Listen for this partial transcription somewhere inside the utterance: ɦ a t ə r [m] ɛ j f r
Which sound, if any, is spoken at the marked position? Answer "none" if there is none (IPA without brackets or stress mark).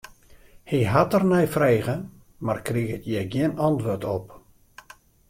n